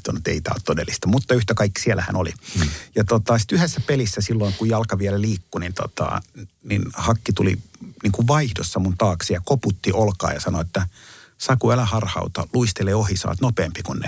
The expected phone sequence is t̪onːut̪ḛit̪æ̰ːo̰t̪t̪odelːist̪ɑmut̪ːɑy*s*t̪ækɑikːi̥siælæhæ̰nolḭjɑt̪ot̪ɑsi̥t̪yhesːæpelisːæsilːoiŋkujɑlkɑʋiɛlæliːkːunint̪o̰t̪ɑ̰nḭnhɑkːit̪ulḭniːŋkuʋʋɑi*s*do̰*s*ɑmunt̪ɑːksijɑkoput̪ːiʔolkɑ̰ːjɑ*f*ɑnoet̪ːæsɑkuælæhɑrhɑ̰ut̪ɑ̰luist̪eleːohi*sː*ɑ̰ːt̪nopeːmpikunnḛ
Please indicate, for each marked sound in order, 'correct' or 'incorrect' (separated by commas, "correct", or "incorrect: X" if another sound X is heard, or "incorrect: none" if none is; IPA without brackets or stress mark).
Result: incorrect: h, incorrect: h, incorrect: sː, incorrect: s, incorrect: s